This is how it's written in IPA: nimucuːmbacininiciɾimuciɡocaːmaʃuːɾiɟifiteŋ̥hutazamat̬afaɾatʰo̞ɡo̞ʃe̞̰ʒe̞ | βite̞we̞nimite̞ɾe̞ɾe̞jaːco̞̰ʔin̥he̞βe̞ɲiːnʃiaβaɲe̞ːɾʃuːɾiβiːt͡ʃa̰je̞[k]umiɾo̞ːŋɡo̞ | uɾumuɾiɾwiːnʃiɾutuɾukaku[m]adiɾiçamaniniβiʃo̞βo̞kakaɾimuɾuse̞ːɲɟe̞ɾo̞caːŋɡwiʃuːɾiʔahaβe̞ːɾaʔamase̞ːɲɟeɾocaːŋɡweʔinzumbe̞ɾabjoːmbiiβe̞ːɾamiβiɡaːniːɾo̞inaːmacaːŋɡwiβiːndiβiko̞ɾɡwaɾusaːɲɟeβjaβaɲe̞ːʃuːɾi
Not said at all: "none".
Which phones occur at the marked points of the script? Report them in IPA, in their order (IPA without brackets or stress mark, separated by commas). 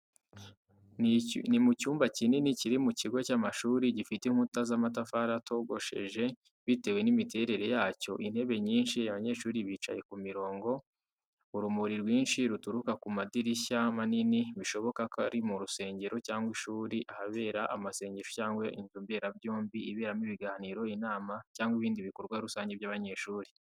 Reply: k, m